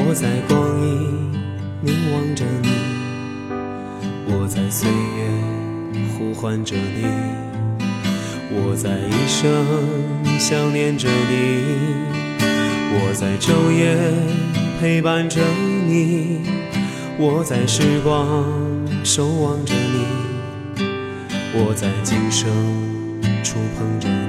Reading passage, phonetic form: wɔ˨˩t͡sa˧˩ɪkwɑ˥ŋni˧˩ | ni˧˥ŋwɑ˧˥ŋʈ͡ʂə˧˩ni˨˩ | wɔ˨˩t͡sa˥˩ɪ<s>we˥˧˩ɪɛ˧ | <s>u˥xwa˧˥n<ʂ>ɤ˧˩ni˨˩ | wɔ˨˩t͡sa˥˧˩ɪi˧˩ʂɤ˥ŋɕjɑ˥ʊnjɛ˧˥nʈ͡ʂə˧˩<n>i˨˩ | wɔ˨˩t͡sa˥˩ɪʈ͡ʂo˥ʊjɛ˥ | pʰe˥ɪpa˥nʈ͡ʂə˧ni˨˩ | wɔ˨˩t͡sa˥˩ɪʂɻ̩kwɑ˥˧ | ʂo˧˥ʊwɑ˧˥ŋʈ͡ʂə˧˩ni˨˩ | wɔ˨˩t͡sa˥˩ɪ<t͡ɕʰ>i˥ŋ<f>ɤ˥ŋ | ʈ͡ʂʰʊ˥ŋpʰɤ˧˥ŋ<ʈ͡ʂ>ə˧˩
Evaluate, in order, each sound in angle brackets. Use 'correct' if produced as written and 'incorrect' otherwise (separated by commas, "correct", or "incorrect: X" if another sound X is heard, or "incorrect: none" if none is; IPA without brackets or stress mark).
correct, incorrect: x, incorrect: ʈ͡ʂ, correct, incorrect: t͡ɕ, incorrect: ʂ, correct